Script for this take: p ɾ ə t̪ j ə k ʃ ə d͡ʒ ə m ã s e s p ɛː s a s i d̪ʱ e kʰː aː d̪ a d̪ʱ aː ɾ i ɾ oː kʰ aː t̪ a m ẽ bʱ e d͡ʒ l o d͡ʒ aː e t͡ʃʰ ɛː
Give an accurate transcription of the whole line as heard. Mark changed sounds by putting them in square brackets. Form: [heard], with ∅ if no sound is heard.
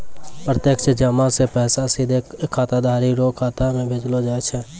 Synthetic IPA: p ɾ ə t̪ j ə k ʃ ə d͡ʒ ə m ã s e [∅] p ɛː s a s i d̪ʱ e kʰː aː [t̪] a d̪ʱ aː ɾ i ɾ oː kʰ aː t̪ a m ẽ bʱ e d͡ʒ l o d͡ʒ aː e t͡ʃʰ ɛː